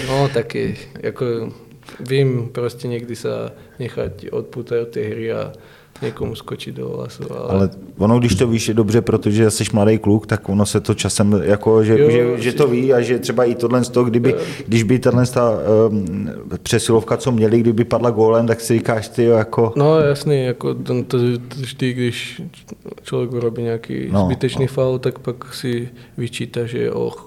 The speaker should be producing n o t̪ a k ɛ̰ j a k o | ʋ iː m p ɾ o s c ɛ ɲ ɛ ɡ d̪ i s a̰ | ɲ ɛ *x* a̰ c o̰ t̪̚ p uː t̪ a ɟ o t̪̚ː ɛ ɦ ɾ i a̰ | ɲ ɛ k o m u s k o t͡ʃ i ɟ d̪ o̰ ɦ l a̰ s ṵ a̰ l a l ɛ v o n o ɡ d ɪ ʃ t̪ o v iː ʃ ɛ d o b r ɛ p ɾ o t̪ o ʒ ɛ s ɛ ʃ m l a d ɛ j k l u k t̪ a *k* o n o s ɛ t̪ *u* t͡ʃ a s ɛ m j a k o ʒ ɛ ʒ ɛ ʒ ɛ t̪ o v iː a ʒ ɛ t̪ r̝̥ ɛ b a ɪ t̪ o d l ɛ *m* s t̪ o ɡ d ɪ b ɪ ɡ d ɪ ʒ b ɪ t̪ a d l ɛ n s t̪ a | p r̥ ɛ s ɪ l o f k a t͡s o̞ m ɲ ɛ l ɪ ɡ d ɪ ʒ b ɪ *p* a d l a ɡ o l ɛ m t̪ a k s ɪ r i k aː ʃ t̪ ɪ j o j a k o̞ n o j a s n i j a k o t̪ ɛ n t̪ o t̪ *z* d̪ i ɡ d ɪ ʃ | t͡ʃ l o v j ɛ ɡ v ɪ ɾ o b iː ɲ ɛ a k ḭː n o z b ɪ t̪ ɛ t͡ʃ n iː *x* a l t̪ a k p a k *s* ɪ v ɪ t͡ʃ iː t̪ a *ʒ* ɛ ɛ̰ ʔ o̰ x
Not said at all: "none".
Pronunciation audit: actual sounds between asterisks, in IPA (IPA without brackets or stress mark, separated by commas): x, k, o, n, p, ʒ, f, s, ʒ